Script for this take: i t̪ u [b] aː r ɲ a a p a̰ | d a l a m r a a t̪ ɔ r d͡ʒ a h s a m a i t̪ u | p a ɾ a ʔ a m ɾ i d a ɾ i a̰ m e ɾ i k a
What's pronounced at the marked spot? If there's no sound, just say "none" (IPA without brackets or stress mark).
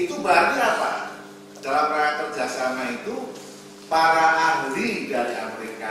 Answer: b